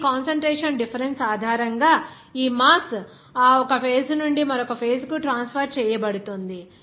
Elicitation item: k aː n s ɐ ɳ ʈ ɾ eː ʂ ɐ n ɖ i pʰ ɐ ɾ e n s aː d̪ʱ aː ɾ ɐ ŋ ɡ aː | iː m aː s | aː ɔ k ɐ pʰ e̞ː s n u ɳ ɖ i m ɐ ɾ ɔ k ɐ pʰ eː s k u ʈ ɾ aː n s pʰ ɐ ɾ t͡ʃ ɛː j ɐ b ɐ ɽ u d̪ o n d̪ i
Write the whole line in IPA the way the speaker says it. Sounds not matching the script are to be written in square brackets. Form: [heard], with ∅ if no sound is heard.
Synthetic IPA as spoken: k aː n s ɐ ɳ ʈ ɾ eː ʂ ɐ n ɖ i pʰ ɐ ɾ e n s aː d̪ʱ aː ɾ ɐ ŋ ɡ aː | iː m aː s | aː ɔ k ɐ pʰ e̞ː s n u ɳ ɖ i m ɐ ɾ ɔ k ɐ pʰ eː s k u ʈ ɾ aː n s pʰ ɐ ɾ t͡ʃ ɛː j ɐ b ɐ ɽ u [t̪] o n d̪ i